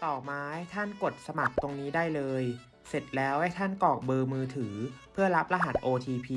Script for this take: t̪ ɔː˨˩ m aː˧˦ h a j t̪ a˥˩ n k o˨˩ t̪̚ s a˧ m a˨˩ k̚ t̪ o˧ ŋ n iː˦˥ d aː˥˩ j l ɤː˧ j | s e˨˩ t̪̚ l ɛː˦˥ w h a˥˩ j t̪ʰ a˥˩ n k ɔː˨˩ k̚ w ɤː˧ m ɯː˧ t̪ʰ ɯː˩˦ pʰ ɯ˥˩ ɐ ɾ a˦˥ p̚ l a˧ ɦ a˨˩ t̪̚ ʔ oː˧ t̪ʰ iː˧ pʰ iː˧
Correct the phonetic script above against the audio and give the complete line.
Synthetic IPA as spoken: t̪ ɔː˨˩ m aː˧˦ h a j t̪ʰ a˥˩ n k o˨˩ t̪̚ s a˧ m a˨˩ k̚ t̪ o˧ ŋ n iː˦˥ d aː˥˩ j l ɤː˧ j | s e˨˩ t̪̚ l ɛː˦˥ w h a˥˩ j t̪ʰ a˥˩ n k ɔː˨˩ k̚ b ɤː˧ m ɯː˧ t̪ʰ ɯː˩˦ pʰ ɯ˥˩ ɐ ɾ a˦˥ p̚ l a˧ ɦ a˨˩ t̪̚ ʔ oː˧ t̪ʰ iː˧ pʰ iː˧